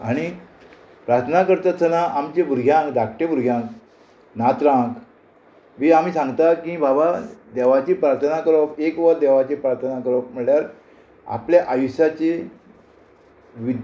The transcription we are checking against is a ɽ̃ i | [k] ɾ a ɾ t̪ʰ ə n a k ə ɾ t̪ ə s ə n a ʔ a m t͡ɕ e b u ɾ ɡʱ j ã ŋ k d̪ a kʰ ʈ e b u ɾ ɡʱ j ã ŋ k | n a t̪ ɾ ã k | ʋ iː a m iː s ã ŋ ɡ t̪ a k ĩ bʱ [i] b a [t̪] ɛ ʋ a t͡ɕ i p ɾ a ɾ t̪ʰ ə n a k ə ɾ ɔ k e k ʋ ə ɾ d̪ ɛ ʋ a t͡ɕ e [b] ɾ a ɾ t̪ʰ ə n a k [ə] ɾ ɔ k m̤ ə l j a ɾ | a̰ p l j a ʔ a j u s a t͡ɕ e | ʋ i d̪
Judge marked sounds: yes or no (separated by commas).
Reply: no, no, no, no, yes